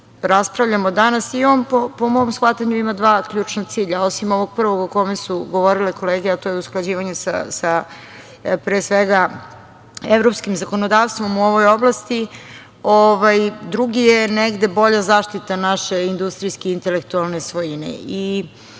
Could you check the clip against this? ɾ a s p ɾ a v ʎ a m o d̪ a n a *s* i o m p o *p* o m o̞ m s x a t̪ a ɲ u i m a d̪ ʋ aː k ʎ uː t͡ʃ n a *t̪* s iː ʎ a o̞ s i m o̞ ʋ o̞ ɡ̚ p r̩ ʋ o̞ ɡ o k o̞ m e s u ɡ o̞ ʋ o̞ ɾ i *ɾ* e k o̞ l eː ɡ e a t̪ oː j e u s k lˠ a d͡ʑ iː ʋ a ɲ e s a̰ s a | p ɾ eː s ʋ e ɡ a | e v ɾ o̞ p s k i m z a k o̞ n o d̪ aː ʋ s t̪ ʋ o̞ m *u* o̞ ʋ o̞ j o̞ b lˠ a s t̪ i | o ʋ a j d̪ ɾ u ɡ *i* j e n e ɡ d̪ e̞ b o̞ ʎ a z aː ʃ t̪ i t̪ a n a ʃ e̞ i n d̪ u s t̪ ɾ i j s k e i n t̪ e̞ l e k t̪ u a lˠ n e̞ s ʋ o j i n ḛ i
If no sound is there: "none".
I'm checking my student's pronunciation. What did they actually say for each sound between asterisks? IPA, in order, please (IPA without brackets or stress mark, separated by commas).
s, p, t̪, l, u, i